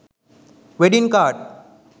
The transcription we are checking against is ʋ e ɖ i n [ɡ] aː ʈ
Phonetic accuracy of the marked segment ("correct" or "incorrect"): incorrect